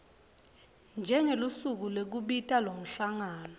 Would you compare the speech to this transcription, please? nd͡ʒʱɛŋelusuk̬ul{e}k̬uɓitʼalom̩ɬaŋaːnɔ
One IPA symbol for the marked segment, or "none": e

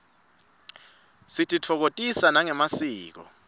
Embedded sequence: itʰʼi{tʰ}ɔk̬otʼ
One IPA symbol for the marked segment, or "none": tʰ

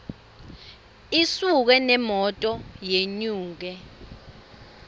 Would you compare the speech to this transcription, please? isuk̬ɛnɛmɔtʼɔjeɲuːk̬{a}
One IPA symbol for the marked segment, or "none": ɛ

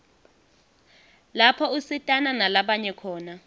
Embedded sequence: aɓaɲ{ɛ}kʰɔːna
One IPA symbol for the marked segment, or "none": ɛ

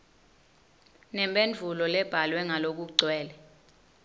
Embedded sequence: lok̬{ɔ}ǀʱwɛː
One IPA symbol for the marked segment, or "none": u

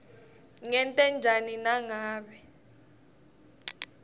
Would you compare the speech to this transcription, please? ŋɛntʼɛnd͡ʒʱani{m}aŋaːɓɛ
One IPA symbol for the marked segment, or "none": n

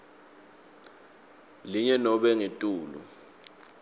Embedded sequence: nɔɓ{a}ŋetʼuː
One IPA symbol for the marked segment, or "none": ɛ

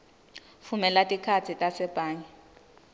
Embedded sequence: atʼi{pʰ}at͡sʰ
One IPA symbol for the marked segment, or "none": kʰ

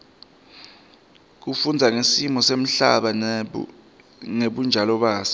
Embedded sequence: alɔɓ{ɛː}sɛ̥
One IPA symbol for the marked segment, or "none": aː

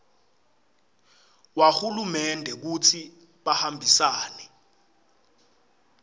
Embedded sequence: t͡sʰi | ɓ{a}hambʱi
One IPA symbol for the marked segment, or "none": a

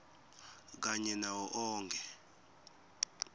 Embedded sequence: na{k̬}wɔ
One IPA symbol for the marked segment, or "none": none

